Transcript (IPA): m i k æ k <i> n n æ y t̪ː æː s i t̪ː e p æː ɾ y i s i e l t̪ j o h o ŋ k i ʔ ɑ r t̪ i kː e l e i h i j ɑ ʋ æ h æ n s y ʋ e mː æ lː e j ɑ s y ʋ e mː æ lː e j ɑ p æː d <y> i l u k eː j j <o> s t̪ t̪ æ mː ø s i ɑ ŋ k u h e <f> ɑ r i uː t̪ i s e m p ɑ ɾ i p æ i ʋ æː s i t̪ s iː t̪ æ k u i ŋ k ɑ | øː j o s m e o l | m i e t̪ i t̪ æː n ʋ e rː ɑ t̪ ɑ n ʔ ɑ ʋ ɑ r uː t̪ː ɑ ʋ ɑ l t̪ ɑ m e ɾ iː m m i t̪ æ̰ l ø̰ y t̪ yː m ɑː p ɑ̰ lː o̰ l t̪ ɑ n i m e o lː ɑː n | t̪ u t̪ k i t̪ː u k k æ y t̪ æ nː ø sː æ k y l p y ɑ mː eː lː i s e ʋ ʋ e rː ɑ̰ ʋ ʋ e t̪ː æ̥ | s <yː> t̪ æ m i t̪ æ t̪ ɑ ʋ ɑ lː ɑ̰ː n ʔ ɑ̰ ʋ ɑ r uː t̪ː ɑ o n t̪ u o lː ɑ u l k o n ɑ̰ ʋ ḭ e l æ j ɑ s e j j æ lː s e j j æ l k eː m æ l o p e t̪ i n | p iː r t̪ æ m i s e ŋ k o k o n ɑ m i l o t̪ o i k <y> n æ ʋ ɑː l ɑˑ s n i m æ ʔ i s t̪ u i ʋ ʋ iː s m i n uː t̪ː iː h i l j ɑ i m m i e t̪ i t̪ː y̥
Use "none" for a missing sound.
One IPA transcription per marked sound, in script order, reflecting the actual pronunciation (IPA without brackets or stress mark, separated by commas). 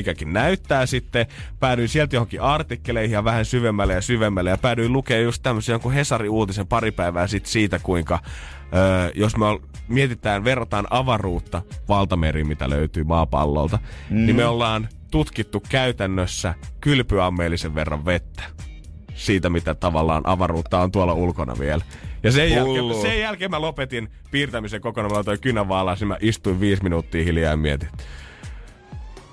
i, y, u, s, iː, y